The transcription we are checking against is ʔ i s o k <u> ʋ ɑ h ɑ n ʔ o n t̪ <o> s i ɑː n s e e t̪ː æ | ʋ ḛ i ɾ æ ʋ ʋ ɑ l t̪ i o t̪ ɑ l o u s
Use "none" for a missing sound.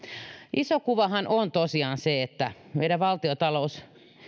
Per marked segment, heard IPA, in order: u, o

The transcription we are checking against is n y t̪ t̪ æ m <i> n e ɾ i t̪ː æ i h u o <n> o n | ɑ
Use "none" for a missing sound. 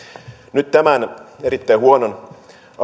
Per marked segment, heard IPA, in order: æ, n

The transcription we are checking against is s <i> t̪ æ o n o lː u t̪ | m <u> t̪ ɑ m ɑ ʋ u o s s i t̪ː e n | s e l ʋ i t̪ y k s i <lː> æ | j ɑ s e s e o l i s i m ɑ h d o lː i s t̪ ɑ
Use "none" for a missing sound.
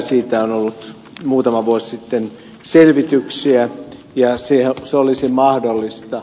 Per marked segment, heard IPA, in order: iː, uː, none

